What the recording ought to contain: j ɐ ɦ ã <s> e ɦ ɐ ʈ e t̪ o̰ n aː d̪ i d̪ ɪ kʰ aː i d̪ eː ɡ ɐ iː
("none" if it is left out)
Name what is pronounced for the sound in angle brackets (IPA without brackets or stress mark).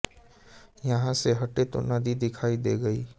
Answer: s